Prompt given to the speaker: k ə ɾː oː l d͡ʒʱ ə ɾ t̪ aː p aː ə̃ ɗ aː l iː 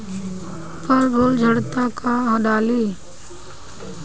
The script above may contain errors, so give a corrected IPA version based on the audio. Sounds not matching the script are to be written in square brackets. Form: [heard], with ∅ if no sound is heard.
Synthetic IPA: [p] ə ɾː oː l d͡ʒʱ ə [ɽ] t̪ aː [k] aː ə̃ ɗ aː l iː